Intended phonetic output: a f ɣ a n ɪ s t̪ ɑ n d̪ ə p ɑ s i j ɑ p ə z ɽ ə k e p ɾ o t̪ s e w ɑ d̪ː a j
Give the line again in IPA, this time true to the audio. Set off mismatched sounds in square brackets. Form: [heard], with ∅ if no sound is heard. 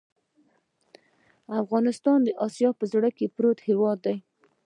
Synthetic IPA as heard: a f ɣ [ɑ] n ɪ s t̪ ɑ n d̪ ə [ʔ] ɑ s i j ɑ p ə z ɽ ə k e p ɾ o t̪ [h] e w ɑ d̪ː a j

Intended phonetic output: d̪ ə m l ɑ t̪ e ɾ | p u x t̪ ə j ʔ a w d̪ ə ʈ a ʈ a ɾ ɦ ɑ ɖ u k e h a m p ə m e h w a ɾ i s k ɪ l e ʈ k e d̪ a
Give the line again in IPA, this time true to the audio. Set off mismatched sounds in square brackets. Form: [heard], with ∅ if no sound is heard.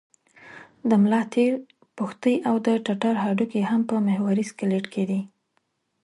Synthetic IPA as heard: d̪ ə m l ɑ t̪ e ɾ | p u x t̪ ə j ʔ a w d̪ ə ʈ a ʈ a ɾ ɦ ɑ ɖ u k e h a m p ə m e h w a ɾ i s k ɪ l e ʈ k e d̪ [i]

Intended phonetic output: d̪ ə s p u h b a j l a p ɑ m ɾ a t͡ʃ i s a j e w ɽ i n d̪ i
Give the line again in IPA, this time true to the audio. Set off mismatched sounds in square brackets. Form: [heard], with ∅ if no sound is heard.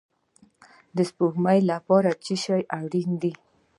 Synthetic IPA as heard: d̪ ə s p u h [m] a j l a p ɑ [∅] ɾ a t͡ʃ i [ʃ] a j [a] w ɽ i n d̪ i

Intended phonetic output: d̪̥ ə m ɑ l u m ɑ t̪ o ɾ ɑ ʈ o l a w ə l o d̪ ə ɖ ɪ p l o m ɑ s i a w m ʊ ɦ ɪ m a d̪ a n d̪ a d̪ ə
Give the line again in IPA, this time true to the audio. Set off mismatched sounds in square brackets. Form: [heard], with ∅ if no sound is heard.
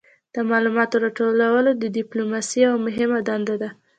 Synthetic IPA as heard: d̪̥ ə m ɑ l u m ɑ t̪ o ɾ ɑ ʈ o l a w ə l o d̪ ə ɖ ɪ p l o m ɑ s i a w m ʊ ɦ ɪ m a d̪ a n d̪ a d̪ [a]

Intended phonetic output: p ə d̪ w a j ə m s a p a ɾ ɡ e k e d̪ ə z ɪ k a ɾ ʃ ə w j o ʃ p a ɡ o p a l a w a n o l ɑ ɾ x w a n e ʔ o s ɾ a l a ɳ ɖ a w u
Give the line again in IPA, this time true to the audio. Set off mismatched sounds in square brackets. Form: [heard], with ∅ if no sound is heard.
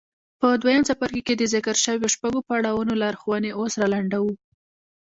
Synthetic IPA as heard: p ə d̪ w a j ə m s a p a ɾ [k] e k e d̪ ə z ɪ k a ɾ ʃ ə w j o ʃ p a ɡ o p a [ɽ] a w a n o l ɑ ɾ x w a n e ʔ o s ɾ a l a ɳ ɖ a w u

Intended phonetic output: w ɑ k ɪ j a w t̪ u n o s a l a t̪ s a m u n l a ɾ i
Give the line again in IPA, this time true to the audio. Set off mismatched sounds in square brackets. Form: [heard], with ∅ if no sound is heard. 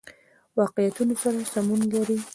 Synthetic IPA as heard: w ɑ [q] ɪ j a [∅] t̪ u n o s a [ɾ] a [∅] s a m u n l a ɾ i

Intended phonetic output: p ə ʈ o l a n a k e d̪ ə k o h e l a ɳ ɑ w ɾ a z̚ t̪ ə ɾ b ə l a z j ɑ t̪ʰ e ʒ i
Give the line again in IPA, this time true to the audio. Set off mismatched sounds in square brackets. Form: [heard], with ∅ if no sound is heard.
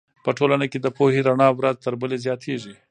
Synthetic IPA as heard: p ə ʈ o l a n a k e d̪ ə [p] o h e [ɾ] a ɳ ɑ w ɾ a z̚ t̪ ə ɾ b ə l [e] z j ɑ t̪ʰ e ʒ i

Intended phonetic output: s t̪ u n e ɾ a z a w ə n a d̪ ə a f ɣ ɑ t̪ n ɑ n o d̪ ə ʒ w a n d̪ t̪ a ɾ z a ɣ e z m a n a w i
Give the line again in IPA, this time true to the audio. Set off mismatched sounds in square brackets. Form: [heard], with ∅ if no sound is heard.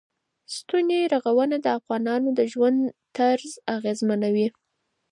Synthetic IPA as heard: s t̪ u n e ɾ a [ɣ] a w ə n a d̪ ə a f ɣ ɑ [∅] n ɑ n o d̪ ə ʒ w a n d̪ t̪ a ɾ z a ɣ e z m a n a w i

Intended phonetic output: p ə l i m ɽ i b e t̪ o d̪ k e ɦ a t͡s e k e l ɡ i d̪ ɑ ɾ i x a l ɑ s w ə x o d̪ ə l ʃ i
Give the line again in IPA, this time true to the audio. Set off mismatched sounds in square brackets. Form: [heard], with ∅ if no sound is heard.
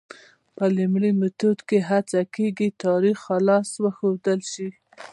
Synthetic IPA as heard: p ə l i m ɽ i [m] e t̪ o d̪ k e ɦ a t͡s [a] k e [∅] ɡ i [t̪] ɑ ɾ i x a l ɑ s w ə x o d̪ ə l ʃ i

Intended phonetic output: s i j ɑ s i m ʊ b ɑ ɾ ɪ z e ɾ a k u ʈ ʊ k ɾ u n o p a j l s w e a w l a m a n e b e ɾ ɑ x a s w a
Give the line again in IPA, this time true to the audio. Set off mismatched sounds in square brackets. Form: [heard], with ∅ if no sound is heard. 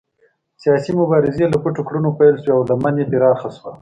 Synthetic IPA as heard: s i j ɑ s i m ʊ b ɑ ɾ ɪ z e [l] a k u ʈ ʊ k [ɽ] u n o p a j l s w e a w l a m a n e b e ɾ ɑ x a s w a

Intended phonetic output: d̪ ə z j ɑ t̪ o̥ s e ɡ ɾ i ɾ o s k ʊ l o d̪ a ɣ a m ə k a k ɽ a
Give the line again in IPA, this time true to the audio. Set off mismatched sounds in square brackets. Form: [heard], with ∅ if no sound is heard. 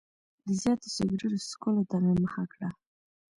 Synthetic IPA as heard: d̪ ə z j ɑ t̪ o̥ s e ɡ ɾ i ɾ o s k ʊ l o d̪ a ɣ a m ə [x] a k ɽ a

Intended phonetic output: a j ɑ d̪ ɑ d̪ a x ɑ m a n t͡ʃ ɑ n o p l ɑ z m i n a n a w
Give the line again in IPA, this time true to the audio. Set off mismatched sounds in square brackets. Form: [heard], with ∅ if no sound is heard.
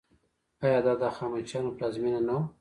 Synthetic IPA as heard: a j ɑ d̪ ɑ d̪ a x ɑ m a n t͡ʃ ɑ n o p l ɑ z m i n a n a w

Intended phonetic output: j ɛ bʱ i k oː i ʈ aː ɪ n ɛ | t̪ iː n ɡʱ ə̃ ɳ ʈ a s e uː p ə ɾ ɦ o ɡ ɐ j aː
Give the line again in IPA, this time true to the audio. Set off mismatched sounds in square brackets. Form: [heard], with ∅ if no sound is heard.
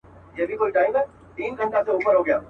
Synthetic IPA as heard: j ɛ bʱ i k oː i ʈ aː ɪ [m] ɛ | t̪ iː n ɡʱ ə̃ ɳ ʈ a s e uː p ə ɾ ɦ o ɡ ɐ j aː

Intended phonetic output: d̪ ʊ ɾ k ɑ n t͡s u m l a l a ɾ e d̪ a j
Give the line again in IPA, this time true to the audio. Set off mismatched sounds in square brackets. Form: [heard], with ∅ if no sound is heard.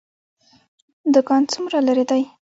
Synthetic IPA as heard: d̪ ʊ [∅] k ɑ n t͡s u m [ɾ] a l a ɾ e d̪ a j

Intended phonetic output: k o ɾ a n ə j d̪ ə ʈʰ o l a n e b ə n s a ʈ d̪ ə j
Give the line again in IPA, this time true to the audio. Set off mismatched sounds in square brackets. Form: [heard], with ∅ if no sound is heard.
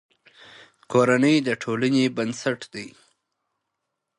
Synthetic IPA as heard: k o ɾ a n ə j d̪ ə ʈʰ o l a n e b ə n s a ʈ d̪ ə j

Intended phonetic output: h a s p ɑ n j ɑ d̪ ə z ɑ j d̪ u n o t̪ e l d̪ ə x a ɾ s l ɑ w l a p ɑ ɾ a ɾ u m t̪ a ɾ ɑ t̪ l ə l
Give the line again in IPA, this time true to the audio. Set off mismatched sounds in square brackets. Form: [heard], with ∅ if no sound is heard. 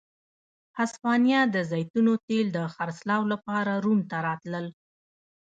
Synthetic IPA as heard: h a s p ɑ n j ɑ d̪ ə z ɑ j [t̪] u n o t̪ e l d̪ ə x a ɾ s l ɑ w l a p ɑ ɾ a ɾ u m t̪ a ɾ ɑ t̪ l ə l

